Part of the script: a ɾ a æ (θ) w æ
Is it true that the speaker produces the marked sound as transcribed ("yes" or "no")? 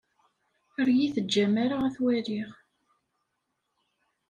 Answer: yes